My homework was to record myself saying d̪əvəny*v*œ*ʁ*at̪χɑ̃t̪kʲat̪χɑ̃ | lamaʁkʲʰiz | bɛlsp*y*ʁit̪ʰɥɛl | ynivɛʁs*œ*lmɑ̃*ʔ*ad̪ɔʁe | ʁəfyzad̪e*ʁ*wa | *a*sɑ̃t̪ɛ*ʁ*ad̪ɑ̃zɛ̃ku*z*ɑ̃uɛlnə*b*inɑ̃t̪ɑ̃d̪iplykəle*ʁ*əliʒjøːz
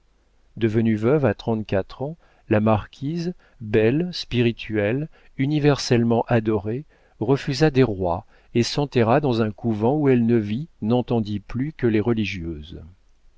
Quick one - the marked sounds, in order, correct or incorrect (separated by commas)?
correct, incorrect, incorrect, incorrect, correct, correct, incorrect, correct, incorrect, incorrect, correct